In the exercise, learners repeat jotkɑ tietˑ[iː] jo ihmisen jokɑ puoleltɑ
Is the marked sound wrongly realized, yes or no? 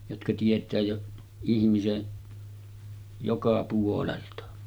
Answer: yes